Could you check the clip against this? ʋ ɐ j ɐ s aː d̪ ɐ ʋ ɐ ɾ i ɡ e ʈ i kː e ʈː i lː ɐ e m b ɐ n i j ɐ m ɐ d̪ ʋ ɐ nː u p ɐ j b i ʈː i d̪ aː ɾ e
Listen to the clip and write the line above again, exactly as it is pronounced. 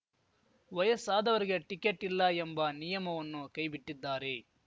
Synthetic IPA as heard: ʋ ɐ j ɐ s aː d̪ ɐ ʋ ɐ ɾ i ɡ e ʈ i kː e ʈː i lː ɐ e m b ɐ n i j ɐ m ɐ ʋ ɐ nː u k ɐ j b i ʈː i d̪ː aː ɾ e